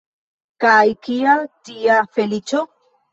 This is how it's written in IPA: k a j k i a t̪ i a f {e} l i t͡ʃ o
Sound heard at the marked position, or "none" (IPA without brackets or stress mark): e